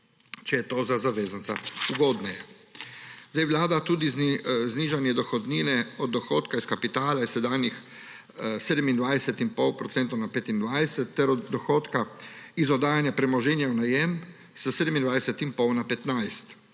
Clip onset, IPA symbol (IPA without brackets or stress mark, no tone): t͡ʃ